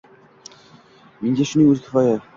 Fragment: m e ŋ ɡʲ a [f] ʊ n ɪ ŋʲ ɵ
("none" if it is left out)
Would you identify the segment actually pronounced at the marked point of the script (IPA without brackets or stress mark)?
ʃ